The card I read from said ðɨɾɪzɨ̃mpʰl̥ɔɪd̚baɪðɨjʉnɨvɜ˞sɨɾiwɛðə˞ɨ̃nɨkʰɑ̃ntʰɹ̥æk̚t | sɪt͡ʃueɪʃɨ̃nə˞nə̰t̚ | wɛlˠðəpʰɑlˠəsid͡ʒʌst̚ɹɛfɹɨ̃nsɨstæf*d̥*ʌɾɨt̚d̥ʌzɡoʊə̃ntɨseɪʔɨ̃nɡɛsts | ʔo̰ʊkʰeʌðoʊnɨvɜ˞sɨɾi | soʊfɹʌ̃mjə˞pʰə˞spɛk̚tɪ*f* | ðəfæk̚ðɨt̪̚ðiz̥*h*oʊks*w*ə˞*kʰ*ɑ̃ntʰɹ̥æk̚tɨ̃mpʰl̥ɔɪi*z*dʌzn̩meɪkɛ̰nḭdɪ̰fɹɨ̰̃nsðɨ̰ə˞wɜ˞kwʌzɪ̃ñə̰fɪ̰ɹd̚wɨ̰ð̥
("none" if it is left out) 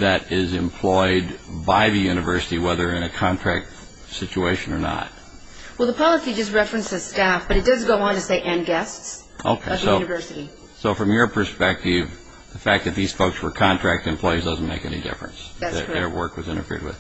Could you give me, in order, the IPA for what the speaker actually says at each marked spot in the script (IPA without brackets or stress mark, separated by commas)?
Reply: b̥, v, f, w, kʰ, z